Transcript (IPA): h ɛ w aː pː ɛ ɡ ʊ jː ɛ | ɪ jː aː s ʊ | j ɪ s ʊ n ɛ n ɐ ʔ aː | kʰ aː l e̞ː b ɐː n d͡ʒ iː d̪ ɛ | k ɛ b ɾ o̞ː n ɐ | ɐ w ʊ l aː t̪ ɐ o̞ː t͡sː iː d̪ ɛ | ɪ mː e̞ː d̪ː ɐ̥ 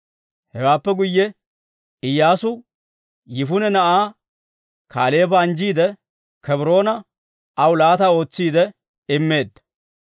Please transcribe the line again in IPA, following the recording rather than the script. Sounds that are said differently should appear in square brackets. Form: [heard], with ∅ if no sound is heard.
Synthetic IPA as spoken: h ɛ w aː pː ɛ ɡ ʊ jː ɛ | ɪ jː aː s ʊ | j ɪ [f] ʊ n ɛ n ɐ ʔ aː | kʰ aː l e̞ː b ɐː n d͡ʒ iː d̪ ɛ | k ɛ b ɾ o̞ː n ɐ | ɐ w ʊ l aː t̪ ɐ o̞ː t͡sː iː d̪ ɛ | ɪ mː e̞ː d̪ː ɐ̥